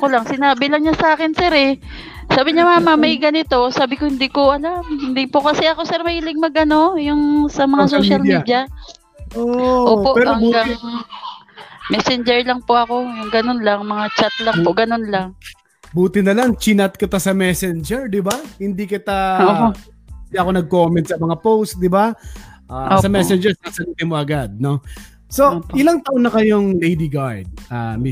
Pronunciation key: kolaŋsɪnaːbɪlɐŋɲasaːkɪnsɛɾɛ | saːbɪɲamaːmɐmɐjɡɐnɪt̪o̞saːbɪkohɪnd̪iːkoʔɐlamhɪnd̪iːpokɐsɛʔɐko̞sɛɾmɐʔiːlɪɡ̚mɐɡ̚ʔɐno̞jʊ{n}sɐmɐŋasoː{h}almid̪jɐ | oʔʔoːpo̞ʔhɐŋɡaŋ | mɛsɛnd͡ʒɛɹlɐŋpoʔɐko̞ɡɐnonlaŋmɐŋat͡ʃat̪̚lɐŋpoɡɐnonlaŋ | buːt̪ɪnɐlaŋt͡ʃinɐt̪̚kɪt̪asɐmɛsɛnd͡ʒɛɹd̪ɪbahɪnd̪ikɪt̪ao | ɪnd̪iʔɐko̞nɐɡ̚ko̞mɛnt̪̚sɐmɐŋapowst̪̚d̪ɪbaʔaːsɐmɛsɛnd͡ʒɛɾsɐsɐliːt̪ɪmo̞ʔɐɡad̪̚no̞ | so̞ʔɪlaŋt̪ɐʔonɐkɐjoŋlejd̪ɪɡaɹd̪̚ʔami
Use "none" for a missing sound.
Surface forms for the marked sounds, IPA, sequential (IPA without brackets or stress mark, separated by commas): ŋ, ʃ